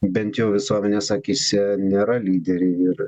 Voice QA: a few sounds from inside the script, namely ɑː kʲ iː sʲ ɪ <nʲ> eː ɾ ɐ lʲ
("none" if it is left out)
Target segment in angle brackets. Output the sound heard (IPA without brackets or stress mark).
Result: nʲ